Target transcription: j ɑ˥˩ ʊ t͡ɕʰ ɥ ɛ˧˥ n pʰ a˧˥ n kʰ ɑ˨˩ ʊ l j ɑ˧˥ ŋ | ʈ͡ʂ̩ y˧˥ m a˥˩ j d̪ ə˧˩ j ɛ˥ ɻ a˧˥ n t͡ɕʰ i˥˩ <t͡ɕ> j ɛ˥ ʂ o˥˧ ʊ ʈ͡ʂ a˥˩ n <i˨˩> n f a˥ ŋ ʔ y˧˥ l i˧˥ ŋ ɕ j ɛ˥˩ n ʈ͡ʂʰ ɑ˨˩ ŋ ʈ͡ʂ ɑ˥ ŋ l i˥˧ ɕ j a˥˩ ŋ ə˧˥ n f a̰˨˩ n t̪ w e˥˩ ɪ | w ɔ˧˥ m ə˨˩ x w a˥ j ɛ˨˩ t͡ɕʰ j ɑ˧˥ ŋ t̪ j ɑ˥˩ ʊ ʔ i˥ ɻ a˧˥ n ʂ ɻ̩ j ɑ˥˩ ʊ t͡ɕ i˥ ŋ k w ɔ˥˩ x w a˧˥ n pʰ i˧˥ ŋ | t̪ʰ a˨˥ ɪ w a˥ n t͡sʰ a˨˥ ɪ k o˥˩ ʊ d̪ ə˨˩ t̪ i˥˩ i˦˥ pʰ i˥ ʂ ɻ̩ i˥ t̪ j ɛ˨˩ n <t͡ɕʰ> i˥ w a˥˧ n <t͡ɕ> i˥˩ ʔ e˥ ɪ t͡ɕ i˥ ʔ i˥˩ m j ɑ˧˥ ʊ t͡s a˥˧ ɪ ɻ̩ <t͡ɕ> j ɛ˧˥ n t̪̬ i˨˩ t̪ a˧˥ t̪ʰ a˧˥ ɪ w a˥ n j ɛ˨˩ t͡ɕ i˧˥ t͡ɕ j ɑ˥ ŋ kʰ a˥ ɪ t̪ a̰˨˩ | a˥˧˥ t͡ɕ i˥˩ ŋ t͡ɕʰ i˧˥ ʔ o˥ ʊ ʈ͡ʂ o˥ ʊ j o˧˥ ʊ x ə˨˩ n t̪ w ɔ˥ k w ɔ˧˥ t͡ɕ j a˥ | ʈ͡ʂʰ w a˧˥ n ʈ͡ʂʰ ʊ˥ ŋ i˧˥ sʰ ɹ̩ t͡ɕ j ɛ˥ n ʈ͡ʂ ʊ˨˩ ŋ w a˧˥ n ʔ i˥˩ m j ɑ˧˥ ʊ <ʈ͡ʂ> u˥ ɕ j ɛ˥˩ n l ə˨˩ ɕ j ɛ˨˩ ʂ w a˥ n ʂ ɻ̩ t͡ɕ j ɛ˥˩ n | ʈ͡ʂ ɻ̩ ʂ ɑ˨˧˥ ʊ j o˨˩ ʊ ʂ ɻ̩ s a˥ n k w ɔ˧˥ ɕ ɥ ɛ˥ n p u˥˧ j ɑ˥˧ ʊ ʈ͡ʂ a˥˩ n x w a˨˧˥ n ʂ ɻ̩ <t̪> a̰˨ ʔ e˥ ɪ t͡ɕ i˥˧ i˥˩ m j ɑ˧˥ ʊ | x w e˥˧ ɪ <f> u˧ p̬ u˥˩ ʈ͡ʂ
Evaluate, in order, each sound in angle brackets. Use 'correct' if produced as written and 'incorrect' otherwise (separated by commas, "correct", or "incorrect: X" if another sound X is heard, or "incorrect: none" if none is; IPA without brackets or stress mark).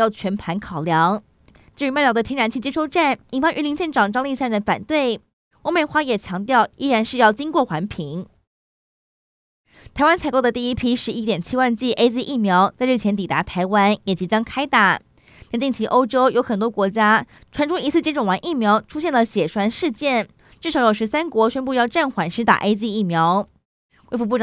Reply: correct, correct, correct, correct, incorrect: t͡ɕʰ, incorrect: ʈ͡ʂʰ, correct, correct